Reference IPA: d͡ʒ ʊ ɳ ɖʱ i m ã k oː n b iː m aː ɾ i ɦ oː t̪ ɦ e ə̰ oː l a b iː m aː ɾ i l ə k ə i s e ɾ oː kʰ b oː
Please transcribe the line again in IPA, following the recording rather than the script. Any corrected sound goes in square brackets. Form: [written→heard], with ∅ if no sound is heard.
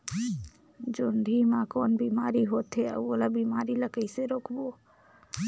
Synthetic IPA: d͡ʒ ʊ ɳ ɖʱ i m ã k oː n b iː m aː ɾ i ɦ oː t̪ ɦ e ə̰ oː l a b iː m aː ɾ i l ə k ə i s e ɾ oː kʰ b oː